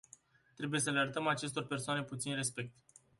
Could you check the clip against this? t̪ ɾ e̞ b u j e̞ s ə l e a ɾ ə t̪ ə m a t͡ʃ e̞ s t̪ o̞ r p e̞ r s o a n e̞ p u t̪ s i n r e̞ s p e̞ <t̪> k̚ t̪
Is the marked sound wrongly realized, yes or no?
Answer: yes